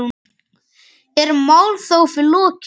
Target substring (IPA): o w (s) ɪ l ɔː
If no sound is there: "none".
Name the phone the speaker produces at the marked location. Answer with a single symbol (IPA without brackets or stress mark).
f